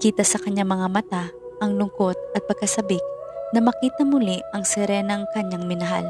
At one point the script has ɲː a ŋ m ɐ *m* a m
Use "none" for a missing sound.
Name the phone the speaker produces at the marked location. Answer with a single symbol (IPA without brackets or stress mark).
ŋ